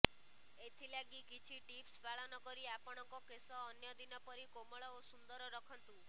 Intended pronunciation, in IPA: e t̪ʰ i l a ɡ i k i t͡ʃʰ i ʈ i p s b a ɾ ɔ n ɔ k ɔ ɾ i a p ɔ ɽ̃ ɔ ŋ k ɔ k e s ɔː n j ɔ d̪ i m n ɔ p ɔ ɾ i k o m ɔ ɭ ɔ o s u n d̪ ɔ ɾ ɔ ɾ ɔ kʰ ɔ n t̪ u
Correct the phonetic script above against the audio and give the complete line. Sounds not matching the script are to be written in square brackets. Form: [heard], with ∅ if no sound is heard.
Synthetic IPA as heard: e t̪ʰ i l a ɡ i k i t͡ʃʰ i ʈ i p s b a [ɭ] ɔ n ɔ k ɔ ɾ i a p ɔ ɽ̃ ɔ ŋ k ɔ k e s ɔː n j ɔ d̪ i [∅] n ɔ p ɔ ɾ i k o m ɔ ɭ ɔ o s u n d̪ ɔ ɾ ɔ ɾ ɔ kʰ ɔ n t̪ u